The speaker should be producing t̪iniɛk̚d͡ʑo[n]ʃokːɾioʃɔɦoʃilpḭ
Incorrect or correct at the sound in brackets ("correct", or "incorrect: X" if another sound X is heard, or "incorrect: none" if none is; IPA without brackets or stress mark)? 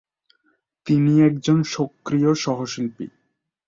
correct